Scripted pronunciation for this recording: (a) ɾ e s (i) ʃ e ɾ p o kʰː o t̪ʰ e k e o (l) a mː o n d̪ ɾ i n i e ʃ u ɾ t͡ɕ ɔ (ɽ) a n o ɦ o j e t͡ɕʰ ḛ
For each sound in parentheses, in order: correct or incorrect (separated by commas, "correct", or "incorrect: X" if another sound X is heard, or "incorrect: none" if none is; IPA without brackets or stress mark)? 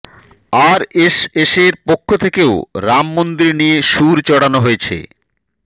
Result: correct, incorrect: e, incorrect: ɾ, correct